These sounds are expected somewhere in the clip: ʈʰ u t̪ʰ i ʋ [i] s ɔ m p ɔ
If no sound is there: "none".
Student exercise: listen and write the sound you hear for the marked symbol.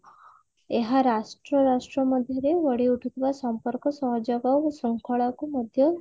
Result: a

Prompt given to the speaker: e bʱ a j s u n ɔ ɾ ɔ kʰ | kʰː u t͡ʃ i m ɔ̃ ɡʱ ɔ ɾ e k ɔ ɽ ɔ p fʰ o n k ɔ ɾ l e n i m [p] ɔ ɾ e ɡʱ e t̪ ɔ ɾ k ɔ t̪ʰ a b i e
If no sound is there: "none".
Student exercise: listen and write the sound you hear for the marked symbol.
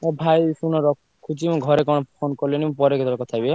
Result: p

